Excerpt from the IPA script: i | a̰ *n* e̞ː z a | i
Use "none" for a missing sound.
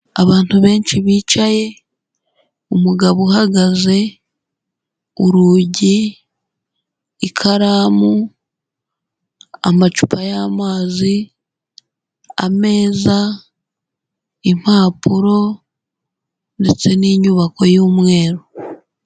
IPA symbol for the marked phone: m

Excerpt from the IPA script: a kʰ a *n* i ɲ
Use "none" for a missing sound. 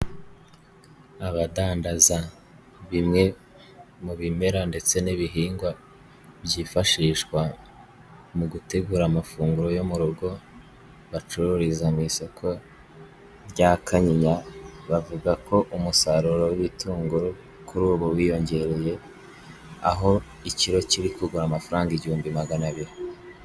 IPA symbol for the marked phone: ɲ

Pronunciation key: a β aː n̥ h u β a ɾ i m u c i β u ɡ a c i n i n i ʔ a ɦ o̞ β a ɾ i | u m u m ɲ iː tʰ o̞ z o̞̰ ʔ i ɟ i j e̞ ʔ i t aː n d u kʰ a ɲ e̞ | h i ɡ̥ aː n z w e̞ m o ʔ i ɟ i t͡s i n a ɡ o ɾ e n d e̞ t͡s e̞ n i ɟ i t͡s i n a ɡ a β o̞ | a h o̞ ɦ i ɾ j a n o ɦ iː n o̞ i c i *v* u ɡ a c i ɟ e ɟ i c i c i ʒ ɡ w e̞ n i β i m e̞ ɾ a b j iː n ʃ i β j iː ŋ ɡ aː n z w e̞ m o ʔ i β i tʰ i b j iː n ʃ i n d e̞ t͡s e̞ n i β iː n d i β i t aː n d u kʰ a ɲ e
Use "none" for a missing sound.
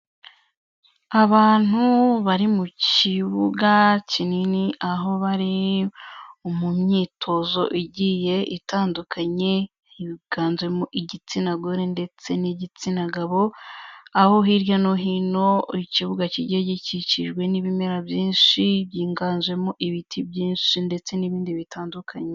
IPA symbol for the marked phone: β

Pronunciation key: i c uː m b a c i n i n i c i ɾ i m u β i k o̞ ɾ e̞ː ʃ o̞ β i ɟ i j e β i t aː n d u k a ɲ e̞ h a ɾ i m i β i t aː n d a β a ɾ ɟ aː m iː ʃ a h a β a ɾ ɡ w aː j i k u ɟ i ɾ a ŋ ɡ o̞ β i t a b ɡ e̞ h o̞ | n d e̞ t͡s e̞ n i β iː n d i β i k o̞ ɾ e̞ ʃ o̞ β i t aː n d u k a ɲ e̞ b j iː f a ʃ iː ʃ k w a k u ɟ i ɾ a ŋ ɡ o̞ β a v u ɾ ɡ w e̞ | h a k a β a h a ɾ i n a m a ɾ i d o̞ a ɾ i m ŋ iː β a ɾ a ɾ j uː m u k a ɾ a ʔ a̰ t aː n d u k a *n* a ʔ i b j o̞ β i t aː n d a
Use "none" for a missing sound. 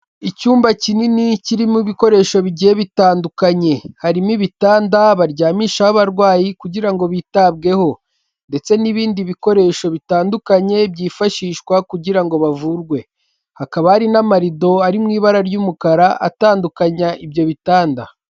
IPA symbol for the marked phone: ɲ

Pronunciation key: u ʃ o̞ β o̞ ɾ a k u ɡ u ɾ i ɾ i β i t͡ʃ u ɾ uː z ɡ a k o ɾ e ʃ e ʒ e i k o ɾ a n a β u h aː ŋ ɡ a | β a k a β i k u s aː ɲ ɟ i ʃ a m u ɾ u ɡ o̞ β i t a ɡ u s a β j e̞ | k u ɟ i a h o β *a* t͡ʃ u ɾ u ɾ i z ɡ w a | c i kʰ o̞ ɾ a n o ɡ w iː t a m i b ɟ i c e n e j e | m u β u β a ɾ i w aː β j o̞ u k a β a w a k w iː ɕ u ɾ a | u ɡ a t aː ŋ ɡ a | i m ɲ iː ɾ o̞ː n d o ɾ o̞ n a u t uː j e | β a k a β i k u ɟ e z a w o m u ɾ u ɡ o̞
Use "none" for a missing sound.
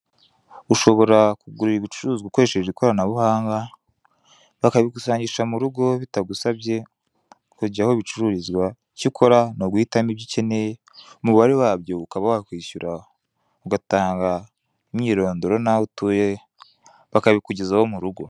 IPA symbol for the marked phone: i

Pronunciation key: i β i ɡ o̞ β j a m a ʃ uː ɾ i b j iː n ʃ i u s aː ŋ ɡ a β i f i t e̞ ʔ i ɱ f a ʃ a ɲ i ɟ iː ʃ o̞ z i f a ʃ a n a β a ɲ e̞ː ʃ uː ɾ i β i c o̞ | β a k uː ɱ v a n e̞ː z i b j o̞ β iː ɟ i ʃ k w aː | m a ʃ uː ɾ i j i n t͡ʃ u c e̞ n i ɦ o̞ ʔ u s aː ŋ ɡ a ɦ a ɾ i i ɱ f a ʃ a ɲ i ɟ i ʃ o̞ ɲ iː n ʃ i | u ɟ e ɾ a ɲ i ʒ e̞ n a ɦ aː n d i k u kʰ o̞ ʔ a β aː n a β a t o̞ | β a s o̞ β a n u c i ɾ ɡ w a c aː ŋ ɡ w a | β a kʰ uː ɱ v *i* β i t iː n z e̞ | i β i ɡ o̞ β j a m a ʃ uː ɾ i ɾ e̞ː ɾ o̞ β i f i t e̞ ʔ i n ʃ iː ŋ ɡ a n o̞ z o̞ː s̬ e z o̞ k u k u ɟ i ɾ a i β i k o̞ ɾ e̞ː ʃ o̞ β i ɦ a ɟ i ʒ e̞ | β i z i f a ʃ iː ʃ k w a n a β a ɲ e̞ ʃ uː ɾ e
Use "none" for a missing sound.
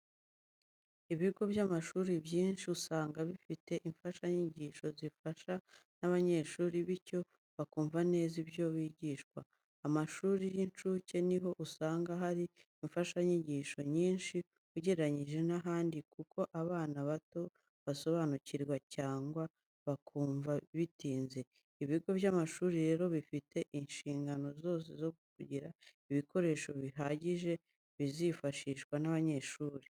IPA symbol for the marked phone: a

